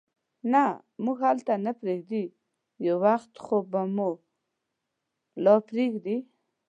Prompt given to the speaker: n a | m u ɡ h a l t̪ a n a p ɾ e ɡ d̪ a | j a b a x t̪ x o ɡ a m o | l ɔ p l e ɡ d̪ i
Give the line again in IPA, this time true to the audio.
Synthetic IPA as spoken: n a | m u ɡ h a l t̪ a n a p ɾ e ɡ d̪ i | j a w a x t̪ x o b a m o | l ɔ p ɾ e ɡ d̪ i